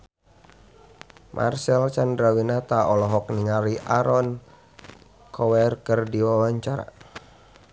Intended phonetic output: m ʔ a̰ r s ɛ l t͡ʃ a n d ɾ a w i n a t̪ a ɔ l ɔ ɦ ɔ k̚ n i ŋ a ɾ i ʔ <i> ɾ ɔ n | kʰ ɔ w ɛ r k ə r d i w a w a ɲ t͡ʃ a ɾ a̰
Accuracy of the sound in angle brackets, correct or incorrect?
incorrect